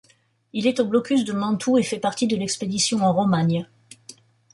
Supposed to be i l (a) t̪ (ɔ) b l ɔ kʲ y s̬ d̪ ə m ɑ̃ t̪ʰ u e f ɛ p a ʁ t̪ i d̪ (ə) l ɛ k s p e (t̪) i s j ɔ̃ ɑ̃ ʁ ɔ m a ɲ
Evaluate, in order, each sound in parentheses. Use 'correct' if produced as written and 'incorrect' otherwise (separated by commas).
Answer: incorrect, incorrect, correct, incorrect